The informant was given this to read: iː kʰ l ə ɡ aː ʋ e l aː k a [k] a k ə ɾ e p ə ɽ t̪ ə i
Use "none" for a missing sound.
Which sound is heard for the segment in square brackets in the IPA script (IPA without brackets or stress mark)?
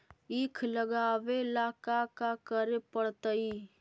k